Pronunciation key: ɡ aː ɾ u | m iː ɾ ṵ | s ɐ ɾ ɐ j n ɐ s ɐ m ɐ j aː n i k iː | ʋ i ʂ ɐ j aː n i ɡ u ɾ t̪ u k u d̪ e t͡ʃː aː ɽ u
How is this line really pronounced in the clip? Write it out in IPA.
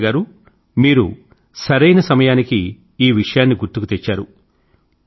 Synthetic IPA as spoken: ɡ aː ɾ u | m iː ɾ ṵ | s ɐ ɾ ɐ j n ɐ s ɐ m ɐ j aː n i k iː | ʋ i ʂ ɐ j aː nː i ɡ u ɾ t̪ u k u t̪ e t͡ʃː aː ɾ u

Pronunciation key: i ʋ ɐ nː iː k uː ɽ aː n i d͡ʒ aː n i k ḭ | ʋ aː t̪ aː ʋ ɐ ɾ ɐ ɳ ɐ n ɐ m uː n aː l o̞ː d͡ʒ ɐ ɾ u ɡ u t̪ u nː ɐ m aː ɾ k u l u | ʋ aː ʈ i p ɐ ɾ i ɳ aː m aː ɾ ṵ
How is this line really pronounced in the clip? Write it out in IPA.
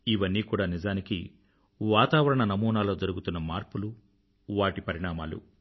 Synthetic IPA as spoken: i ʋ ɐ nː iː k uː ɽ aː n i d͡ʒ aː n i k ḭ | ʋ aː t̪ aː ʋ ɐ ɾ ɐ ɳ ɐ n ɐ m uː n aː l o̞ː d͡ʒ ɐ ɾ u ɡ u t̪ u nː ɐ m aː ɾ p u l u | ʋ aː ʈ i p ɐ ɾ i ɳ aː m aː l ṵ

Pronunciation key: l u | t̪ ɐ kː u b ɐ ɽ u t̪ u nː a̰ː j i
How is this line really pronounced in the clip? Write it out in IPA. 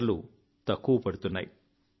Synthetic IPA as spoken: l u | t̪ ɐ kː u p ɐ ɽ u t̪ u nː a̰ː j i

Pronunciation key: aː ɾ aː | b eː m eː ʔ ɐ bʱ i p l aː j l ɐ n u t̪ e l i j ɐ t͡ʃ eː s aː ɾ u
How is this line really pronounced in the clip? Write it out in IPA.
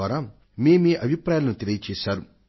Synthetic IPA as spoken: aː ɾ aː | m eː m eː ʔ ɐ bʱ i p ɾ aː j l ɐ n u t̪ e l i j ɐ t͡ʃ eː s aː ɾ u

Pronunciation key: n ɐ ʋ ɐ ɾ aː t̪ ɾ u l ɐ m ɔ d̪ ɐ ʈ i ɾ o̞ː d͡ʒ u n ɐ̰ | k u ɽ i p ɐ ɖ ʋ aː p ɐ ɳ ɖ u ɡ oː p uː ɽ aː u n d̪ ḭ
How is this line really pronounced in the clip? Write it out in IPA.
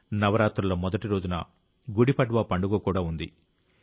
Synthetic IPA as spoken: n ɐ ʋ ɐ ɾ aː t̪ ɾ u l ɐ m ɔ d̪ ɐ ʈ i ɾ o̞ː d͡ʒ u n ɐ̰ | ɡ u ɽ i p ɐ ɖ ʋ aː p ɐ ɳ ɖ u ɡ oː k uː ɽ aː u n d̪ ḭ

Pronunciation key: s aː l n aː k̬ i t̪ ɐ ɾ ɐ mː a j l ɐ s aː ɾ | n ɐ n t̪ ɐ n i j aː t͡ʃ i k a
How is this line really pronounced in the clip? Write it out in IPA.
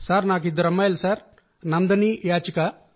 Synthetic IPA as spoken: s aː ɾ n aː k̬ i d̪ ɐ ɾ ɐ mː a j l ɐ s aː ɾ | n ɐ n d̪ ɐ n i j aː t͡ʃ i k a

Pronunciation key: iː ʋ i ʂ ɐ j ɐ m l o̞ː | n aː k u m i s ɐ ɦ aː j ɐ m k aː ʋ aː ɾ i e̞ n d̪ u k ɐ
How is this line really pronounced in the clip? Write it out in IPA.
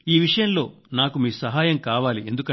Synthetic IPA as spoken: iː ʋ i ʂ ɐ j ɐ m l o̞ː | n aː k u m iː s ɐ ɦ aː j ɐ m k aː ʋ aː l i e̞ n d̪ u k ɐ

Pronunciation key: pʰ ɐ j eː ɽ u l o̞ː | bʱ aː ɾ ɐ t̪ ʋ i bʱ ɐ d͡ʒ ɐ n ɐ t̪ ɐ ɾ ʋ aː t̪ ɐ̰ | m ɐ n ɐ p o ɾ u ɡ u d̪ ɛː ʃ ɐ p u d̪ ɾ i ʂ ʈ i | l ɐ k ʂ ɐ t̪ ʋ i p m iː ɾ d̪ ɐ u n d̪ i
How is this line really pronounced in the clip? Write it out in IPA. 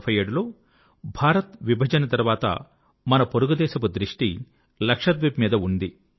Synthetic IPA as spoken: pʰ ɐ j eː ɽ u l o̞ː | bʱ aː ɾ ɐ t̪ ʋ i bʱ ɐ d͡ʒ ɐ n ɐ t̪ ɐ ɾ ʋ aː t̪ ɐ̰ | m ɐ n ɐ p o ɾ u ɡ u d̪ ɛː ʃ ɐ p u d̪ ɾ i ʂ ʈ i | l ɐ k ʂ ɐ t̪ ʋ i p m iː d̪ ɐ u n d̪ i

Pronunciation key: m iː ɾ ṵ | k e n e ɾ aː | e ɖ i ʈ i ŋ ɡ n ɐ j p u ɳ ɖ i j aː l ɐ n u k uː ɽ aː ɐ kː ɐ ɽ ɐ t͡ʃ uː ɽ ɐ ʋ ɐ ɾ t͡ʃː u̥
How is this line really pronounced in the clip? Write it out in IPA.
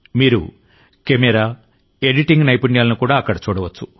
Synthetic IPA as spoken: m iː ɾ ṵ | k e m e ɾ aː | e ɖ i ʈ i ŋ ɡ n ɐ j p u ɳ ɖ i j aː l ɐ n u k uː ɽ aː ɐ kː ɐ ɽ ɐ t͡ʃ uː ɽ ɐ ʋ ɐ t͡ʃː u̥

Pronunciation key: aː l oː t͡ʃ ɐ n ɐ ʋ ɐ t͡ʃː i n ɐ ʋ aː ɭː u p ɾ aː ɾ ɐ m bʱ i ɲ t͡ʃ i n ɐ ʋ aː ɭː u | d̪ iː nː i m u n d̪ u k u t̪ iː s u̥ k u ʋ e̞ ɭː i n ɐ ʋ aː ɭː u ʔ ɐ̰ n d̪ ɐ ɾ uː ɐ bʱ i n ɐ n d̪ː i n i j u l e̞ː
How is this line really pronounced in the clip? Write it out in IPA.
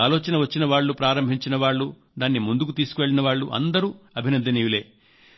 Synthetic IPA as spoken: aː l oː t͡ʃ ɐ n ɐ ʋ ɐ t͡ʃː i n ɐ ʋ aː ɭː u p ɾ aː ɾ ɐ m bʱ i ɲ t͡ʃ i n ɐ ʋ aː ɭː u | d̪ aː nː i m u n d̪ u k u t̪ iː s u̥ k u ʋ e̞ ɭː i n ɐ ʋ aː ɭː u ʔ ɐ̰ n d̪ ɐ ɾ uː ɐ bʱ i n ɐ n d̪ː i n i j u l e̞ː

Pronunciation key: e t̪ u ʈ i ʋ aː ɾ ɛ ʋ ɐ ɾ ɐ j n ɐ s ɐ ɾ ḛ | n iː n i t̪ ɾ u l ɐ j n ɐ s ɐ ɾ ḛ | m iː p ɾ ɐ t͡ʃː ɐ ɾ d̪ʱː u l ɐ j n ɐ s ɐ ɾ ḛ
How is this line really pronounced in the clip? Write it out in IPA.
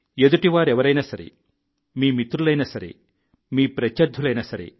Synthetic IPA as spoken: e d̪ u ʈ i ʋ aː ɾ ɛ ʋ ɐ ɾ ɐ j n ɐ s ɐ ɾ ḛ | m iː m i t̪ ɾ u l ɐ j n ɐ s ɐ ɾ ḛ | m iː p ɾ ɐ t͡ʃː ɐ ɾ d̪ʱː u l ɐ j n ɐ s ɐ ɾ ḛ

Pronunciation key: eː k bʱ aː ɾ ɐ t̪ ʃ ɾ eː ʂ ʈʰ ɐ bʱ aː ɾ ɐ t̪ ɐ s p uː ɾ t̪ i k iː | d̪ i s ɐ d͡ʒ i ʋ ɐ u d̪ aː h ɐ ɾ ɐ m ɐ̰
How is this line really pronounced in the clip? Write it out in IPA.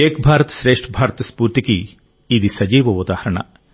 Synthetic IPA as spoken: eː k bʱ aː ɾ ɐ t̪ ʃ ɾ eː ʂ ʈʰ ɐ bʱ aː ɾ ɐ t̪ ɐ s p uː ɾ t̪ i k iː | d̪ i s ɐ d͡ʒ iː ʋ ɐ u d̪ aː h ɐ ɾ ɐ ɳ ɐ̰

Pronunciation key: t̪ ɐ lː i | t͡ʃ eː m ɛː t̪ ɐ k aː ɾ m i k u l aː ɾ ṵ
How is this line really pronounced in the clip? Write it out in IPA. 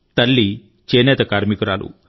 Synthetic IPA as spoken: t̪ ɐ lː i | t͡ʃ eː n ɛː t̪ ɐ k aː ɾ m i k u ɾ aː l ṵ

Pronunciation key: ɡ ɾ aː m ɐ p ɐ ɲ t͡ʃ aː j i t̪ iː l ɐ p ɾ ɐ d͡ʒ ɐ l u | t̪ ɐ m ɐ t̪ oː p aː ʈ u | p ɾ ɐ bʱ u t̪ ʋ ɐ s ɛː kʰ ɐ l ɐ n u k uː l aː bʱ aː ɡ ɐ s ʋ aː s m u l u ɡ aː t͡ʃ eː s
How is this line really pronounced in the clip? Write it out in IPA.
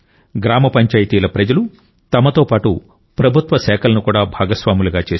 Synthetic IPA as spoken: ɡ ɾ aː m ɐ p ɐ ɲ t͡ʃ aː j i t̪ iː l ɐ p ɾ ɐ d͡ʒ ɐ l u | t̪ ɐ m ɐ t̪ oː p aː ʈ u | p ɾ ɐ bʱ u t̪ ʋ ɐ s ɛː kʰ ɐ l ɐ n u k uː ɽ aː bʱ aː ɡ ɐ s ʋ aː m u l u ɡ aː t͡ʃ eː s

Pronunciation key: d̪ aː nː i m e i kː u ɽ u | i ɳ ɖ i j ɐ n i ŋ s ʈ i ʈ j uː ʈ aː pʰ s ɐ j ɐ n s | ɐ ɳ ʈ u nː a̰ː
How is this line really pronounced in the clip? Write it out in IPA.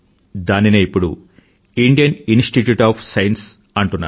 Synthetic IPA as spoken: d̪ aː n i n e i pː u ɽ u | i ɳ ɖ i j ɐ n i n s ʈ i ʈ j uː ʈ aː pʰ s ɐ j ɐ n s | ɐ ɳ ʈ u nː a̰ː

